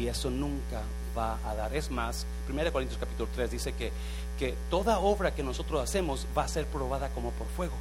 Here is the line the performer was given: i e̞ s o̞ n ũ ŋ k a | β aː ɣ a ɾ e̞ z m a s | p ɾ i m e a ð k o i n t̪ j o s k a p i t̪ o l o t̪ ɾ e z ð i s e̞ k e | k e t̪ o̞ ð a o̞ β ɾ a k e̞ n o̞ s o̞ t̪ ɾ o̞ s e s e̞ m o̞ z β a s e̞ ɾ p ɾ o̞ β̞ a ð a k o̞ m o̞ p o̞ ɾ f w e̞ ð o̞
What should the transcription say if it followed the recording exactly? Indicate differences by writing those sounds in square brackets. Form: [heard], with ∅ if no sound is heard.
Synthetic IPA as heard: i e̞ s o̞ n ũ ŋ k a | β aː [ð] a ɾ e̞ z m a s | p ɾ i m e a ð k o i n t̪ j o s k a p i t̪ [u] l o t̪ ɾ e z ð i s e̞ k e | k e t̪ o̞ ð a o̞ β ɾ a k e̞ n o̞ s o̞ t̪ ɾ o̞ s [a] s e̞ m o̞ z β a s e̞ ɾ p ɾ o̞ β̞ a ð a k o̞ m o̞ p o̞ ɾ f w e̞ [ɣ] o̞